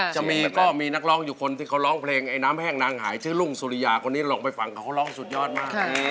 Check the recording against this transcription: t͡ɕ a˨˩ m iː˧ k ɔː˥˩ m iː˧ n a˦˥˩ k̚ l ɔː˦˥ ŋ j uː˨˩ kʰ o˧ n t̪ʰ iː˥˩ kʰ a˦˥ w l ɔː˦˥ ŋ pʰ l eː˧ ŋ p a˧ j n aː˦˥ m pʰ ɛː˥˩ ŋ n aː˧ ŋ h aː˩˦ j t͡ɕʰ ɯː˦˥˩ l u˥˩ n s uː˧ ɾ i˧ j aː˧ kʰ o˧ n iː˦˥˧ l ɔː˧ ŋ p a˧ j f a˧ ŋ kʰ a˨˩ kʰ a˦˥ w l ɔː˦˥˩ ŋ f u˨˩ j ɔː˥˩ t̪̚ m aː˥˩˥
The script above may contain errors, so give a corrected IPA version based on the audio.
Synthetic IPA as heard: t͡ɕ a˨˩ m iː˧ k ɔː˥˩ m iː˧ n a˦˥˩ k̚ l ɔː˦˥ ŋ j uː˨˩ kʰ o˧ n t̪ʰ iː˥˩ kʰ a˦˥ w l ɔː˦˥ ŋ pʰ l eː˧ ŋ ʔ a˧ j n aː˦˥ m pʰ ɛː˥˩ ŋ n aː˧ ŋ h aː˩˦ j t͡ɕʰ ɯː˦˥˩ l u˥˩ ŋ s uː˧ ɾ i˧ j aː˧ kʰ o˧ n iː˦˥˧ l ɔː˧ ŋ p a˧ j f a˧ ŋ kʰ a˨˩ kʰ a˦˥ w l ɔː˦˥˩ ŋ s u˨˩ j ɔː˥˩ t̪̚ m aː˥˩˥